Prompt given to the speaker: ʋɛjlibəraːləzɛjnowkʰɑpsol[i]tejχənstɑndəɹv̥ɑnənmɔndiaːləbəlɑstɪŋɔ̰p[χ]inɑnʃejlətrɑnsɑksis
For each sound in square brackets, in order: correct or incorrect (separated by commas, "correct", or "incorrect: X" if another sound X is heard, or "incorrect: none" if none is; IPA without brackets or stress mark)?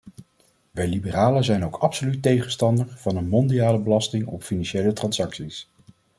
incorrect: y, incorrect: f